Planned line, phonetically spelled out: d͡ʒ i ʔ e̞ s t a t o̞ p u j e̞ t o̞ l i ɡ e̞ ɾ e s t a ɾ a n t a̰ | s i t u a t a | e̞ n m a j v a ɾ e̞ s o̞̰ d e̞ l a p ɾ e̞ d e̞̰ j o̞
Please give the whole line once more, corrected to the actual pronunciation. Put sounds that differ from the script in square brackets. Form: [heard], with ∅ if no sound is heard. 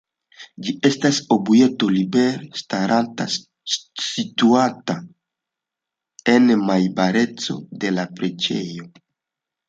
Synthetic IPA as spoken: d͡ʒ i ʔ e̞ s t a [s] o̞ [b] u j e̞ t o̞ l i [b] e̞ ɾ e s t a ɾ a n t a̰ | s i t u a t a | e̞ n m a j [b] a ɾ e̞ [t͡s] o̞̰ d e̞ l a p ɾ e̞ [d͡ʒ] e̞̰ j o̞